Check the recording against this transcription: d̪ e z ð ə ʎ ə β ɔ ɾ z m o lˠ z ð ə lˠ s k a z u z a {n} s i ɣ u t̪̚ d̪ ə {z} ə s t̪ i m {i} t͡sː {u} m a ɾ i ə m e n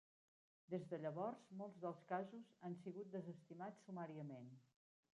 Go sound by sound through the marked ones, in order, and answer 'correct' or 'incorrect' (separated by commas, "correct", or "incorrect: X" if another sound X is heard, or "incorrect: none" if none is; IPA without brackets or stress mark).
correct, correct, incorrect: a, correct